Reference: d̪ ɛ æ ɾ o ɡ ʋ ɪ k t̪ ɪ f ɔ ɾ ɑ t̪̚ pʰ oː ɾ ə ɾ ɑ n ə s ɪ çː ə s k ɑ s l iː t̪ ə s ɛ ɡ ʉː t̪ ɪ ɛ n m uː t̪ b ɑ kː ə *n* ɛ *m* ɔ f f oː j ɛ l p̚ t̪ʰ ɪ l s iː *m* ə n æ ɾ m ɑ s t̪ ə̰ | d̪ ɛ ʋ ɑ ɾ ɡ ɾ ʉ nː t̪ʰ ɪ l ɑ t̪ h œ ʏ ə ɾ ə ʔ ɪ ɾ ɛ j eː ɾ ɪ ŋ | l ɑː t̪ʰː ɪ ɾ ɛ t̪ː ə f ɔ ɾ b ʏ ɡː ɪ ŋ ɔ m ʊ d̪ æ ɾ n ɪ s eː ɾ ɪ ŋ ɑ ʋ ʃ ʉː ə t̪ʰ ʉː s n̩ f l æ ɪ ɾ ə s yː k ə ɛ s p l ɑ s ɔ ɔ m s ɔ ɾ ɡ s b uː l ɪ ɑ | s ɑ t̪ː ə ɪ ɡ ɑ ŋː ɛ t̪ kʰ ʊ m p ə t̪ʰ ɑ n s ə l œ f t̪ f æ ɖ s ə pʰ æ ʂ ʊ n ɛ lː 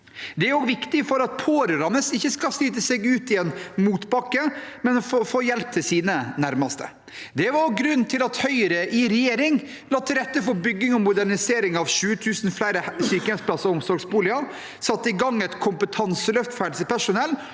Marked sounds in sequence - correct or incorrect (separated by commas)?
incorrect, incorrect, incorrect